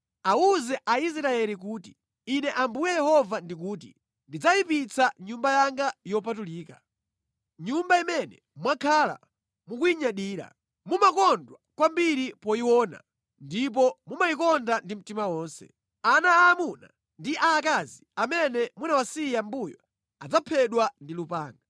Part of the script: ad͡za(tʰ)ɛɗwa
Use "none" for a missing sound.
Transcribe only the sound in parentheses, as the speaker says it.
pʰ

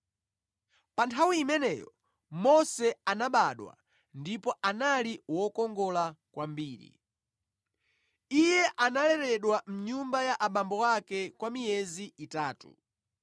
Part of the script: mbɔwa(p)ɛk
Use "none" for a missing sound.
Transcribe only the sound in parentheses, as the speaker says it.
k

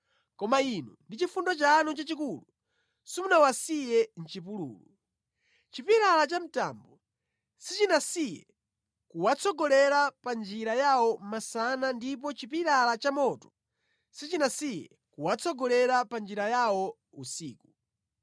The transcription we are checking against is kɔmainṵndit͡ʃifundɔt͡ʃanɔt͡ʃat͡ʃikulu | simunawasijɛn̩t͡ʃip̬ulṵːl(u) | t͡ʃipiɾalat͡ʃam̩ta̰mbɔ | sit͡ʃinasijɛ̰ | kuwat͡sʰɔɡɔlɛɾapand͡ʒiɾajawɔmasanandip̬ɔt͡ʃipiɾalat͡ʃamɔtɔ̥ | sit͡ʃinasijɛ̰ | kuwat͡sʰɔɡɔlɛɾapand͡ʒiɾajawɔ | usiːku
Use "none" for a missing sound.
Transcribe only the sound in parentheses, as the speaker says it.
u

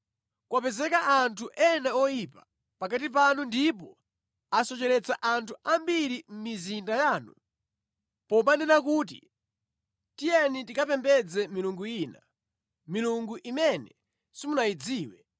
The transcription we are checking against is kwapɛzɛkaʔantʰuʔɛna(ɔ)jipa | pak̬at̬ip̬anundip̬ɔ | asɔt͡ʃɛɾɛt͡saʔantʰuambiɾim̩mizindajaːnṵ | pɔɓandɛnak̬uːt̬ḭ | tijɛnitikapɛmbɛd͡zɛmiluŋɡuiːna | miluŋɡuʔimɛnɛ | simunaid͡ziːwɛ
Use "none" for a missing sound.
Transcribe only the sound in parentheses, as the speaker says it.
ɔ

